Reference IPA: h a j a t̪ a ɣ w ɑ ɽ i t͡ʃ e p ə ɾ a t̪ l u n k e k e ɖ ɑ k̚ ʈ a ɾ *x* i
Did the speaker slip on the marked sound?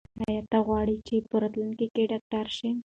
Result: yes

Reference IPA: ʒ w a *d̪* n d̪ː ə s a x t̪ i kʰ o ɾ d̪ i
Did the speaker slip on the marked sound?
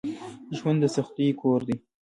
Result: yes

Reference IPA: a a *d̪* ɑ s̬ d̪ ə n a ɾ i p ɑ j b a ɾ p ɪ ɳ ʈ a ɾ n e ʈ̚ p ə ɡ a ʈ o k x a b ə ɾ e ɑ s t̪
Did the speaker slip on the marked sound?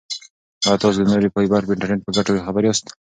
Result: yes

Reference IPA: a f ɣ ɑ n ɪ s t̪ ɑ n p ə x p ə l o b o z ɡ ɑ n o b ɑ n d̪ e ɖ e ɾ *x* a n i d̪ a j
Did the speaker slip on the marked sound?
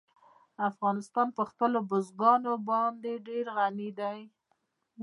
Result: yes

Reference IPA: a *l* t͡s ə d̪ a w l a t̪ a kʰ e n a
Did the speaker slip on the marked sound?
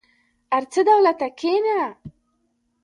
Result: yes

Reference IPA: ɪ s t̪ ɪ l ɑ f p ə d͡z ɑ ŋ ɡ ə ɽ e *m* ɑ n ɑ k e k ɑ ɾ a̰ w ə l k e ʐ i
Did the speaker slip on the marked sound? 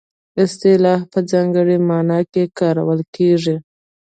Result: no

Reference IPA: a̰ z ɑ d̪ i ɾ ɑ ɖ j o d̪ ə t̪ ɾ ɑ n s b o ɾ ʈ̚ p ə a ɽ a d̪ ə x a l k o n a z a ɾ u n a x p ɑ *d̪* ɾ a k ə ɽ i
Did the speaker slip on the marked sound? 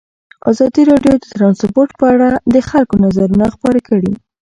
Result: yes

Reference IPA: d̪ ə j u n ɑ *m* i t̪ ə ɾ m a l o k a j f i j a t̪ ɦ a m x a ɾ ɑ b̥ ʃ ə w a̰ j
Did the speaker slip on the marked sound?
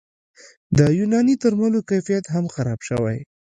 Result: yes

